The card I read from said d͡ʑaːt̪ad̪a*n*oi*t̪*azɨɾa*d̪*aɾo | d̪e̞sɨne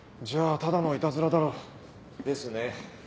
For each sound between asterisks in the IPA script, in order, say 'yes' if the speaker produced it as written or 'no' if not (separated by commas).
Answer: yes, yes, yes